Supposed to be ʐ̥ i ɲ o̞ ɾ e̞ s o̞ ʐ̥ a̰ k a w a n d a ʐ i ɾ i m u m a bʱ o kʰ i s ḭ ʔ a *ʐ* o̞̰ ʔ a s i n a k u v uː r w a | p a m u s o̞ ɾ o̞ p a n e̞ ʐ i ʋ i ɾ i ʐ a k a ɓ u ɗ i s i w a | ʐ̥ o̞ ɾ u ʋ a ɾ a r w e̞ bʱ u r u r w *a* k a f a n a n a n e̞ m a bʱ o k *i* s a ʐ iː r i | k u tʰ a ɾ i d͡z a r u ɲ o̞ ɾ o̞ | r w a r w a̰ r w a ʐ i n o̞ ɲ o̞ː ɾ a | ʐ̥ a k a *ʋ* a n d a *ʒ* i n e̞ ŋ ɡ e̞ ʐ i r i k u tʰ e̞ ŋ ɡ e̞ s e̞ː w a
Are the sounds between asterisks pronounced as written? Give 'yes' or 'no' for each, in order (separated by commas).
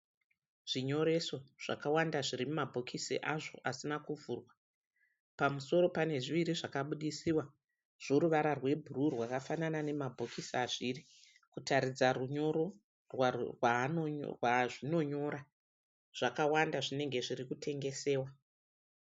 yes, yes, yes, no, no